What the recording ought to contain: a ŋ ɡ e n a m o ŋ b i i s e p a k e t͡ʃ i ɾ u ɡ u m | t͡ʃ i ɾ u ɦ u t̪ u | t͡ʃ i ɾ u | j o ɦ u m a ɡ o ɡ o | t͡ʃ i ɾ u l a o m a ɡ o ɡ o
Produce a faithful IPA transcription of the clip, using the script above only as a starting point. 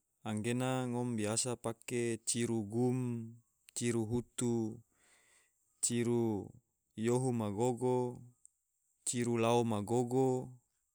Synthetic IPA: a ŋ ɡ e n a ŋ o m b i a s a p a k e t͡ʃ i ɾ u ɡ u m | t͡ʃ i ɾ u ɦ u t̪ u | t͡ʃ i ɾ u | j o ɦ u m a ɡ o ɡ o | t͡ʃ i ɾ u l a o m a ɡ o ɡ o